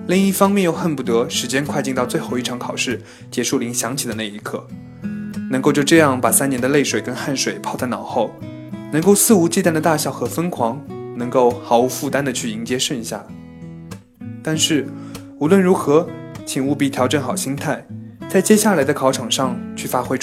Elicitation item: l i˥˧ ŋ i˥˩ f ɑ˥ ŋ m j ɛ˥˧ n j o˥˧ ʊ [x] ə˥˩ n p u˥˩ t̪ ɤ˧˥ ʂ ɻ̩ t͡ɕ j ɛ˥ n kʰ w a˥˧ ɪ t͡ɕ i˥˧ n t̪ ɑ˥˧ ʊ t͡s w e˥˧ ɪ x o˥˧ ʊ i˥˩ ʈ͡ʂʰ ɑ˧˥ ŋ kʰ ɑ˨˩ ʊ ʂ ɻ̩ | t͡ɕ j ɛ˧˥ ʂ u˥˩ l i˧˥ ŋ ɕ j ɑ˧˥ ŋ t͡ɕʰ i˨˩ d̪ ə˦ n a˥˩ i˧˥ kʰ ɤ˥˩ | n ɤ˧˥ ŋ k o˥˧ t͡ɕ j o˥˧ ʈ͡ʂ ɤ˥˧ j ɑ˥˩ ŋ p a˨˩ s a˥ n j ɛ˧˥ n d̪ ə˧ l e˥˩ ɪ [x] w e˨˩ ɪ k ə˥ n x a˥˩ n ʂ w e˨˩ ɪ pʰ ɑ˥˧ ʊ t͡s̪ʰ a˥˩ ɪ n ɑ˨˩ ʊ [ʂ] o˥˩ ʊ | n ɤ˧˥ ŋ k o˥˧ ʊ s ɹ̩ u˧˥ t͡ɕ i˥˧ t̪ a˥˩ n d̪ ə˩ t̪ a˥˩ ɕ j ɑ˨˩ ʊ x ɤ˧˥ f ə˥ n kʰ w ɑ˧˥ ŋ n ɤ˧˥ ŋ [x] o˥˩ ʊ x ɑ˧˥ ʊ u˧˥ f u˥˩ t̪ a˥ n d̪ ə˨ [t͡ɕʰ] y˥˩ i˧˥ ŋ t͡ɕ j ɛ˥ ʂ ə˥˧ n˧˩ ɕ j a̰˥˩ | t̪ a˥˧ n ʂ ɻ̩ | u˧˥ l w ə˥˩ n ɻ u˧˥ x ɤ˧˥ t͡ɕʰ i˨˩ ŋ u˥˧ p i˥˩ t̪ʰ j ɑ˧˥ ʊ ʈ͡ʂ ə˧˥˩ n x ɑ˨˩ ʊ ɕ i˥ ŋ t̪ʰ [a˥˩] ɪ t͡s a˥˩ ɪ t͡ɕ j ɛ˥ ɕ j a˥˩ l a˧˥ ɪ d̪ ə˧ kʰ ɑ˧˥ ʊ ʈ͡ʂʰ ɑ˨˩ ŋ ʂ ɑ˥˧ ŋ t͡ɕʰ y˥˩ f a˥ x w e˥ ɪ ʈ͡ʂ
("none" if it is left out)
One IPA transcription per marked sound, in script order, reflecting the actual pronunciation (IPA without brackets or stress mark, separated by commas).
x, ʂ, x, k, t͡ɕʰ, a˥˩